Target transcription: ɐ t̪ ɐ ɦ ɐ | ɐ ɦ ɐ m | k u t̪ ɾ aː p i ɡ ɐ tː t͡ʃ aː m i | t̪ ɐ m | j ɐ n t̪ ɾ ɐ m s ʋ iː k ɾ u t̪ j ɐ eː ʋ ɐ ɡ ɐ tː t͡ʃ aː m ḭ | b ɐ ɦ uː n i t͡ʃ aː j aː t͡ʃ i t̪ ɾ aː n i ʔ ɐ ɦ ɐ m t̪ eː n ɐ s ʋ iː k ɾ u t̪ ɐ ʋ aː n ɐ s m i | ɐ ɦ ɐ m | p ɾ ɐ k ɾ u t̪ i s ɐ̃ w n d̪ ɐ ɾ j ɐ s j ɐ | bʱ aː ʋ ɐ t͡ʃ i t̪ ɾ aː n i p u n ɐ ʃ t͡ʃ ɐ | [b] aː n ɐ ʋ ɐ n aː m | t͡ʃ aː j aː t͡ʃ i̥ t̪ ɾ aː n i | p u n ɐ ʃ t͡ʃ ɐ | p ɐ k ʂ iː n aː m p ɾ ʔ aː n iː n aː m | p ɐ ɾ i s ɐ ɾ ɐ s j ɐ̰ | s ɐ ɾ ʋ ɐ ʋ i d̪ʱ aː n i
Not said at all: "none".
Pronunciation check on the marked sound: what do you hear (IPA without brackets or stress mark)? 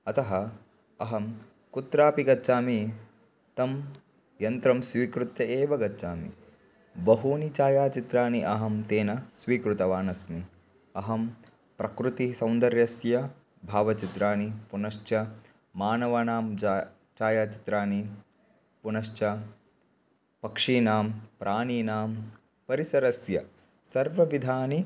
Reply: m